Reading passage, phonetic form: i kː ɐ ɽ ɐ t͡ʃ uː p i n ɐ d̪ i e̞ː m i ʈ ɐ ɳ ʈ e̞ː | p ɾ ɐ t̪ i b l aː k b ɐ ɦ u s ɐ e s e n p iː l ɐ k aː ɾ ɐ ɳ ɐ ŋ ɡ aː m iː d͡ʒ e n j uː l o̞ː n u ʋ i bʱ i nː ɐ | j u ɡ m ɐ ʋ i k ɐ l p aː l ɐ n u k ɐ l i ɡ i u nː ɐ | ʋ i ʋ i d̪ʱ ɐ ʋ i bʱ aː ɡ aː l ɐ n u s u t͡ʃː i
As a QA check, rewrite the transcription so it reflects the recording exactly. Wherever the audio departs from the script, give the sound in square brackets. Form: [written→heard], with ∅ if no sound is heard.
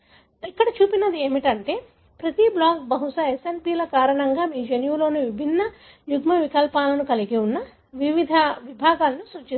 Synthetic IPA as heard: i kː ɐ ɽ ɐ t͡ʃ uː p i n ɐ d̪ i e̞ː m i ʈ ɐ ɳ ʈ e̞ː | p ɾ ɐ t̪ i b l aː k b ɐ ɦ u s ɐ e s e n p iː l ɐ k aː ɾ ɐ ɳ ɐ ŋ ɡ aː m iː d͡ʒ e n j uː l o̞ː n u ʋ i bʱ i nː ɐ | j u ɡ m ɐ ʋ i k ɐ l p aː l ɐ n u k ɐ l i ɡ i u nː ɐ | ʋ i ʋ i d̪ʱ ɐ ʋ i bʱ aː ɡ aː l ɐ n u s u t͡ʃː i